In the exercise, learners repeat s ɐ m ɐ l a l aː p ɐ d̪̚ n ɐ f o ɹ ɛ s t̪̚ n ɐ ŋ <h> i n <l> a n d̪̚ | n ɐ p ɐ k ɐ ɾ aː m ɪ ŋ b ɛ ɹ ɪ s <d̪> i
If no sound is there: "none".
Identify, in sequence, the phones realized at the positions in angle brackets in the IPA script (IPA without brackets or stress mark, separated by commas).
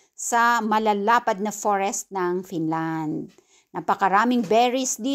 f, l, d̪